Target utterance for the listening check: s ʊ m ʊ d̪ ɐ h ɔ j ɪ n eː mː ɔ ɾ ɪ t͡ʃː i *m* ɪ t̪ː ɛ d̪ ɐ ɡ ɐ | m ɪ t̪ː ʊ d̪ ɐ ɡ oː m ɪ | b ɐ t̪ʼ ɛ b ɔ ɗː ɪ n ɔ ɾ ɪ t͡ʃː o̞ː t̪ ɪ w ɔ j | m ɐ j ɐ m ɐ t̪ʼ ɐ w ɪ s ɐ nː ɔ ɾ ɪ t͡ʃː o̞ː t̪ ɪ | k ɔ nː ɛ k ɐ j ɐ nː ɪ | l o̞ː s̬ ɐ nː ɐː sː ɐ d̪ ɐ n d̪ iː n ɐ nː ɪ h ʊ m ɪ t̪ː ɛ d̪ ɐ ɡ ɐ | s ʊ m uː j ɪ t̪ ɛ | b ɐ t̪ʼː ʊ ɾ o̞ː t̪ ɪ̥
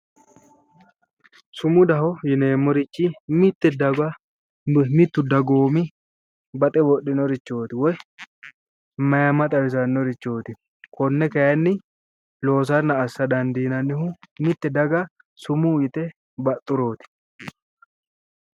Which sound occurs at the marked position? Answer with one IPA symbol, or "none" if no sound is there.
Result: m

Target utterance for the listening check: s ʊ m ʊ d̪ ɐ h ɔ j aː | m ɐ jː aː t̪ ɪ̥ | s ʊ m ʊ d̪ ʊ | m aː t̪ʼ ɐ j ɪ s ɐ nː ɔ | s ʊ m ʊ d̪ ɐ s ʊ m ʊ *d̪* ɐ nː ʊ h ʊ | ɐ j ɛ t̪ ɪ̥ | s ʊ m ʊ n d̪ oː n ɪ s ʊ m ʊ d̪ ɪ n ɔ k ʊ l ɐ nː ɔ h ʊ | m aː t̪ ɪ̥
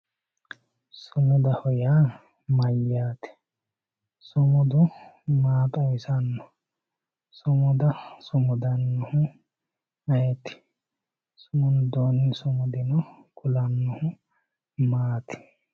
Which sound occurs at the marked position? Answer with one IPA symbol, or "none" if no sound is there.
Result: d̪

